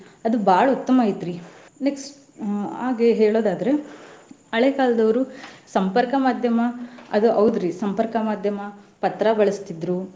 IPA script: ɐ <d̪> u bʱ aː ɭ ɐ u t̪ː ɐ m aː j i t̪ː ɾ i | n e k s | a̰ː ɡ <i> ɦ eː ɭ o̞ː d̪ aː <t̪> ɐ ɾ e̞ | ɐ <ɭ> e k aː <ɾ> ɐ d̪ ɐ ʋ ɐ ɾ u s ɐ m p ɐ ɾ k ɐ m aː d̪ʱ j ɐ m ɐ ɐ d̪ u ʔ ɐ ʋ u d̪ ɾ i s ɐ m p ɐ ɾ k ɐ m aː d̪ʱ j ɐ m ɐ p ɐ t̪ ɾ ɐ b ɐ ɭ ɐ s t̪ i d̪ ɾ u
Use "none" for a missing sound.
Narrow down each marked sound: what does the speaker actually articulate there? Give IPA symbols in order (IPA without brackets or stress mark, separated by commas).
d̪, e, d̪, ɭ, l